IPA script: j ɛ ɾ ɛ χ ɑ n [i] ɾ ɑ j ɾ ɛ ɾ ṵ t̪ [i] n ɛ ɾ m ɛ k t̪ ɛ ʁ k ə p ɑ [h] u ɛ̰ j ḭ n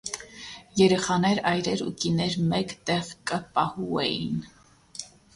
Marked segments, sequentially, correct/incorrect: incorrect, correct, correct

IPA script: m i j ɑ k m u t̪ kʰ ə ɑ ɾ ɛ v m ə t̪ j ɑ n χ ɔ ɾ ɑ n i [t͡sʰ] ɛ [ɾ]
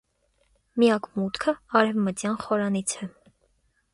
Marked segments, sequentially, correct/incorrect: correct, incorrect

